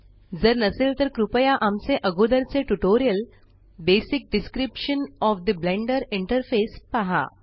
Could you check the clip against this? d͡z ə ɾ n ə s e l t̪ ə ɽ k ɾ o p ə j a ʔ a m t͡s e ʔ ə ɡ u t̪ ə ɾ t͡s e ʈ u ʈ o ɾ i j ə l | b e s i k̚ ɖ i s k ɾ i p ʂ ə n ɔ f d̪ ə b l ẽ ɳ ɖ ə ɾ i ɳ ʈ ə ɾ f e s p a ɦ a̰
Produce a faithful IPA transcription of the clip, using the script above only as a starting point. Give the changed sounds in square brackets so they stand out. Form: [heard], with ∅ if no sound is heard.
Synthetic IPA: d͡z ə ɾ n ə s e l t̪ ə [ɾ] k ɾ [u] p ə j a ʔ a m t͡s e ʔ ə ɡ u [d̪] ə ɾ t͡s e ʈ u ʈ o ɾ i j ə l | b e s i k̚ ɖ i s k ɾ i p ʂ ə n ɔ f d̪ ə b l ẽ ɳ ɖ ə ɾ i ɳ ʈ ə ɾ f e s p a ɦ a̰